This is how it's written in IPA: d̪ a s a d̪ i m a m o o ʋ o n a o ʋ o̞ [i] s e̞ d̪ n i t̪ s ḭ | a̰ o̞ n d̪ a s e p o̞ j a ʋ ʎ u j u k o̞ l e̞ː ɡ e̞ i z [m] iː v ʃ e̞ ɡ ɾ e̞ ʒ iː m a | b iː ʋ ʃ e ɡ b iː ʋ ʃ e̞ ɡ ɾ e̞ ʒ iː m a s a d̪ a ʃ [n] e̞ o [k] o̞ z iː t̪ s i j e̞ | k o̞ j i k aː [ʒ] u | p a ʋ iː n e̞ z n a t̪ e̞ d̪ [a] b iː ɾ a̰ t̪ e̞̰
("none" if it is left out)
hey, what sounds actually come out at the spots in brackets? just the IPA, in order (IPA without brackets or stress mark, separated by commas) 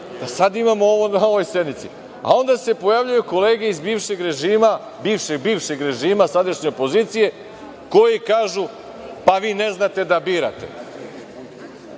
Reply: j, b, ɲ, p, ʒ, a